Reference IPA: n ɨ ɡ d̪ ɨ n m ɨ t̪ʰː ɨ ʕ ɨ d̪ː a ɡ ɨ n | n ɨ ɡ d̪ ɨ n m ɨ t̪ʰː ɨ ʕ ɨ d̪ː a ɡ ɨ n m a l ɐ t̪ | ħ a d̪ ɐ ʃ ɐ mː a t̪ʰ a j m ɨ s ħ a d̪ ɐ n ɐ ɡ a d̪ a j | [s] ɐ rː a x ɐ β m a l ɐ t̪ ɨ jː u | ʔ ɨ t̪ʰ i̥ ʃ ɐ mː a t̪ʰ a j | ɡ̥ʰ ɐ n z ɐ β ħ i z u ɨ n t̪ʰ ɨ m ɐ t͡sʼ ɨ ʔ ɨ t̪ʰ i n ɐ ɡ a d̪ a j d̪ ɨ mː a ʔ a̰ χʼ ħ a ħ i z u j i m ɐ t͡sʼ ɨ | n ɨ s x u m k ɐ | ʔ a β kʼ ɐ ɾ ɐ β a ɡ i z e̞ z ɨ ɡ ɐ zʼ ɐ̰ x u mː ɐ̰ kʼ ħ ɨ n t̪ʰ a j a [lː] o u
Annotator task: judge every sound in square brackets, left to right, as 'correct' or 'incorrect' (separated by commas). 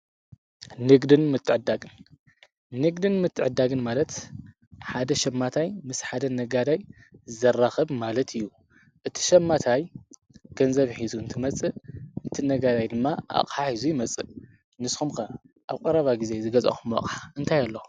incorrect, correct